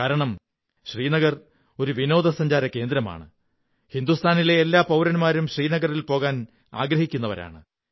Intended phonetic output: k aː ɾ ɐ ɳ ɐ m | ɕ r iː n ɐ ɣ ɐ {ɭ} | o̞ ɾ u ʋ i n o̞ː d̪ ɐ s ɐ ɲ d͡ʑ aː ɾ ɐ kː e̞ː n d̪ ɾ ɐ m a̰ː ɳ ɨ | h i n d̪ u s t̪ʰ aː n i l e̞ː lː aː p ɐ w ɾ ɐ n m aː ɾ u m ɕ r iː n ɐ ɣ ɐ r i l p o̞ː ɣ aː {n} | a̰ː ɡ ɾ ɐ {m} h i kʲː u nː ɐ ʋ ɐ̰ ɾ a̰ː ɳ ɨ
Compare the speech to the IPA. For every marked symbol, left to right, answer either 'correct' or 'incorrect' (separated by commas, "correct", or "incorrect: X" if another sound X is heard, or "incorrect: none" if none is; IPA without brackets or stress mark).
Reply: incorrect: r, correct, incorrect: none